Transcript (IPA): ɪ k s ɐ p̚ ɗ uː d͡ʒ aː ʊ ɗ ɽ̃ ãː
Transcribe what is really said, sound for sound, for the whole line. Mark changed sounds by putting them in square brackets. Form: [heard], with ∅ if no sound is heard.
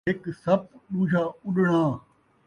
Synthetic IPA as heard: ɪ k s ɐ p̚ ɗ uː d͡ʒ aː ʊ ɗ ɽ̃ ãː